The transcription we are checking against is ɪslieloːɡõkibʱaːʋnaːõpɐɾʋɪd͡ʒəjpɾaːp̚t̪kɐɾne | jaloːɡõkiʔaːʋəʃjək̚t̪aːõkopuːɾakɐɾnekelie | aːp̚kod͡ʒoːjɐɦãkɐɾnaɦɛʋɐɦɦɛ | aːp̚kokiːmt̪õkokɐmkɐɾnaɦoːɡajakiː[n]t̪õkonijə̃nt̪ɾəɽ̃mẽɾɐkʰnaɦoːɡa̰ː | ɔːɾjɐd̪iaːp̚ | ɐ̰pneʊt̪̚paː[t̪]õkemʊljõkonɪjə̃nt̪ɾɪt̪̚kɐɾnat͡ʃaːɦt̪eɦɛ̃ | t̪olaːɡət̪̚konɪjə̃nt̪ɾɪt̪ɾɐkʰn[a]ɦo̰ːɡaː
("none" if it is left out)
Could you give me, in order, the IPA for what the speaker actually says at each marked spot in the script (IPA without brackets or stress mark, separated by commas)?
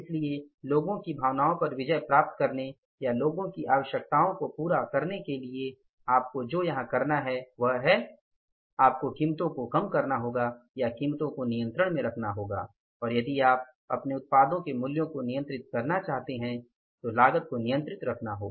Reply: m, d̪, a